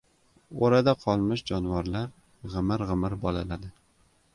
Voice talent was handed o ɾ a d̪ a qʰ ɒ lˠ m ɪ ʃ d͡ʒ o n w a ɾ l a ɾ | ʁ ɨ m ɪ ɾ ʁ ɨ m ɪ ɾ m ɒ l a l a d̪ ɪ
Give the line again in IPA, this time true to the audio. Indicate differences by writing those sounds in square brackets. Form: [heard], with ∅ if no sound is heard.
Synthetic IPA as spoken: o ɾ a d̪ a qʰ ɒ lˠ m ɪ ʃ d͡ʒ [ɒ] n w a ɾ l a ɾ | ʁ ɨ m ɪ ɾ ʁ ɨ m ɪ ɾ [b] ɒ l a l a d̪ ɪ